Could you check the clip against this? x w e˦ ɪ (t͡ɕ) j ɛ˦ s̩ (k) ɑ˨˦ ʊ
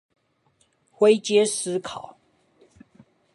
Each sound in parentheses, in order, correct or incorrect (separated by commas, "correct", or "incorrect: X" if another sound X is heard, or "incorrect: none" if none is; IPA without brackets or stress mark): correct, incorrect: kʰ